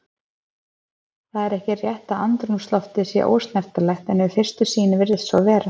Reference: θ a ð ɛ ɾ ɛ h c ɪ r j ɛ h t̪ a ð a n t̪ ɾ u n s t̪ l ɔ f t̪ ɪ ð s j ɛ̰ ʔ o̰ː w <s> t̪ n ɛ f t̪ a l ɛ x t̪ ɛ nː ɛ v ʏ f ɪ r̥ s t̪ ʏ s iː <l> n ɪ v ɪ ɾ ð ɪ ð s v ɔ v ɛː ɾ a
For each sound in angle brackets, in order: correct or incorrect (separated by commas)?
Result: correct, incorrect